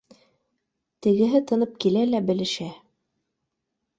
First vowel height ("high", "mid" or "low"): mid